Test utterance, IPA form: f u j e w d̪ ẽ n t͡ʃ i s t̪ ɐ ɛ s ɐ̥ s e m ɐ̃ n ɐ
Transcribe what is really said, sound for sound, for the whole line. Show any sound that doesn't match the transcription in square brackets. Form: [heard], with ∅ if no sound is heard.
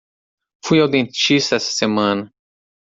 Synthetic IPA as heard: f u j [a] w d̪ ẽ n t͡ʃ i s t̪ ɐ ɛ s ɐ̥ s e m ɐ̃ n ɐ